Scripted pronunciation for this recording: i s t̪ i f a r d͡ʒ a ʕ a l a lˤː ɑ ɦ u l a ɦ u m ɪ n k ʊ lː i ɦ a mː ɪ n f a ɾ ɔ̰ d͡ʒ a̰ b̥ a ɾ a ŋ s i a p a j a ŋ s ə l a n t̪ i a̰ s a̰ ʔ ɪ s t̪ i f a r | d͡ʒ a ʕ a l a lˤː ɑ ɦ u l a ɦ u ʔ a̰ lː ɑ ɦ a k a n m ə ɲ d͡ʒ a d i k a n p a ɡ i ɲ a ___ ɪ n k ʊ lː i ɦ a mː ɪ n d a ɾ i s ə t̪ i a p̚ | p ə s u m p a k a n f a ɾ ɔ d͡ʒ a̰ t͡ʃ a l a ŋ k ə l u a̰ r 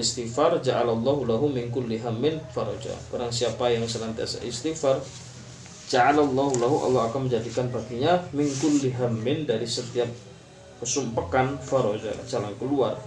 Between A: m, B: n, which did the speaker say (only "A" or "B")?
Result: A